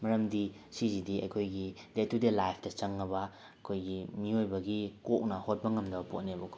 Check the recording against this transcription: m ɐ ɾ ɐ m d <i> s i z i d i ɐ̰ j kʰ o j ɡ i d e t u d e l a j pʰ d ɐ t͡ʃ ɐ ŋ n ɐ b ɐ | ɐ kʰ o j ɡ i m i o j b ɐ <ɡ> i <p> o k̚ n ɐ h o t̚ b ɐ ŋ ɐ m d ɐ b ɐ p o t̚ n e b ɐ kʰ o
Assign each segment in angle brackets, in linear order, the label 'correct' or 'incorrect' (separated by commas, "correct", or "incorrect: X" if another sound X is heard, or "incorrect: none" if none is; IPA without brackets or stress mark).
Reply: correct, correct, incorrect: k